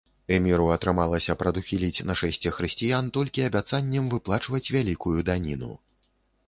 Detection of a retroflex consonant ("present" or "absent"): present